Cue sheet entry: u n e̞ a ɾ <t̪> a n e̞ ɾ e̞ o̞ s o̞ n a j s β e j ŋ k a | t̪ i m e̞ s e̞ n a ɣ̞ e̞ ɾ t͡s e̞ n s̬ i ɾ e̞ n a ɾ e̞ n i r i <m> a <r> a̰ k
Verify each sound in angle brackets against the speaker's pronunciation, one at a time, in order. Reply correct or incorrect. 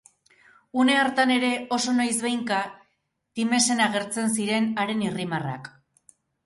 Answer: correct, correct, correct

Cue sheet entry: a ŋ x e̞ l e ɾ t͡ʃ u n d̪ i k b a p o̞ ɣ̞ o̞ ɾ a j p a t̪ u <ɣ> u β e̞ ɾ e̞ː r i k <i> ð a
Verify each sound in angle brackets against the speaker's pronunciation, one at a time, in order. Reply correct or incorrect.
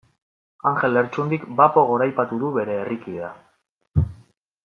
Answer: incorrect: ð, correct

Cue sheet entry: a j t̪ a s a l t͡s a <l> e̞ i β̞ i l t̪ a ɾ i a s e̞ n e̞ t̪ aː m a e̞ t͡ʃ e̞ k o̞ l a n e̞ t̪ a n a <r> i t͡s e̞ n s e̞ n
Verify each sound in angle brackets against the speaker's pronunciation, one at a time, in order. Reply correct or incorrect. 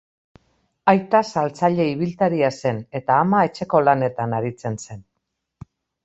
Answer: incorrect: ʎ, incorrect: ɾ

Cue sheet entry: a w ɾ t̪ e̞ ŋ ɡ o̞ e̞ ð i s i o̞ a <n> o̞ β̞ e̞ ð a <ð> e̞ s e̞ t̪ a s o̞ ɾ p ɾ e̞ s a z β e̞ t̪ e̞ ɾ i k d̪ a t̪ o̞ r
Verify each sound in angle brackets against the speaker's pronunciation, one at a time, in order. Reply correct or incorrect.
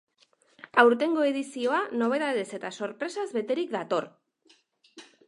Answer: correct, correct

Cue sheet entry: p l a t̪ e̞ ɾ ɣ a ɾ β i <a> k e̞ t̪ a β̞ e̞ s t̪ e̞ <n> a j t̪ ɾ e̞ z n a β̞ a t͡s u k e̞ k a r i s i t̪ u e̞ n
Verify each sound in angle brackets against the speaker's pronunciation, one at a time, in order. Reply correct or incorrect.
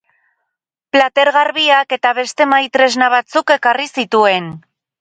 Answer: correct, incorrect: m

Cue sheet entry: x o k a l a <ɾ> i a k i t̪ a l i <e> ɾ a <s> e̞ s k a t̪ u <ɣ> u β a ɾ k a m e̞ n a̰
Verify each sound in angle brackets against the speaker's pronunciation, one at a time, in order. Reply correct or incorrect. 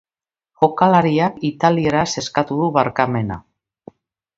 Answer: correct, correct, correct, incorrect: ð

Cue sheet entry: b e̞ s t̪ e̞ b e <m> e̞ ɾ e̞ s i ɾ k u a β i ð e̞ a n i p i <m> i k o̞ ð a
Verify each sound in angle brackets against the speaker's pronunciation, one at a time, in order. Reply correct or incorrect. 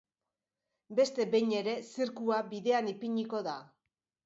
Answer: incorrect: ɲ, incorrect: ɲ

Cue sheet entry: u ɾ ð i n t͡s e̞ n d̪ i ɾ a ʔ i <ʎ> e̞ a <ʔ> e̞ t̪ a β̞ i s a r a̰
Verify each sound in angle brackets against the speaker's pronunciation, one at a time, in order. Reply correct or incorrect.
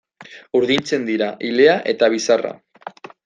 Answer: incorrect: l, correct

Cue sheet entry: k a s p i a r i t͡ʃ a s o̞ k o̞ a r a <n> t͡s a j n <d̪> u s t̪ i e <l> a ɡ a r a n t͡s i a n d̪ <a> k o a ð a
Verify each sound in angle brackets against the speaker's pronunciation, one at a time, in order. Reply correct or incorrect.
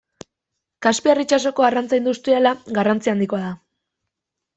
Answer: correct, correct, correct, incorrect: i

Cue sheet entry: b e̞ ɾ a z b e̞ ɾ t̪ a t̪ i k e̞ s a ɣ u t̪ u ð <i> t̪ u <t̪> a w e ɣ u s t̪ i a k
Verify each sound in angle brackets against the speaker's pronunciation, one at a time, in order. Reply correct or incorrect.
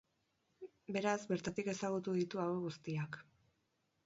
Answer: correct, incorrect: none

